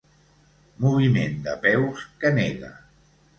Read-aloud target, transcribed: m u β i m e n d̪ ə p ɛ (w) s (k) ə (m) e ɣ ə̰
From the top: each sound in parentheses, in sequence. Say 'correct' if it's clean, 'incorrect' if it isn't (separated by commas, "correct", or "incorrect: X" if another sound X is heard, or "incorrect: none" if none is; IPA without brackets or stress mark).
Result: correct, correct, incorrect: n